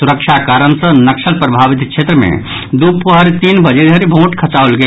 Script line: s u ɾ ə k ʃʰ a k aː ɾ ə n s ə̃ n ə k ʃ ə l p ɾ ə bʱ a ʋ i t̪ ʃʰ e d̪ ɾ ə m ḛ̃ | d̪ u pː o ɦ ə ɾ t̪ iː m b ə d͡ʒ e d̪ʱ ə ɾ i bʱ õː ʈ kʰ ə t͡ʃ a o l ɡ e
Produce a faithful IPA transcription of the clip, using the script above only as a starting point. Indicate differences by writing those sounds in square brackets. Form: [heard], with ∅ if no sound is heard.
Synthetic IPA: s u ɾ ə k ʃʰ a k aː ɾ ə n s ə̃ n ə k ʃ ə l p ɾ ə bʱ a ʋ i t̪ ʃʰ e [t̪] ɾ ə m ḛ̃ | d̪ u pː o ɦ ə ɾ t̪ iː [n] b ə d͡ʒ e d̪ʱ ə ɾ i bʱ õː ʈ kʰ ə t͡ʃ a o l ɡ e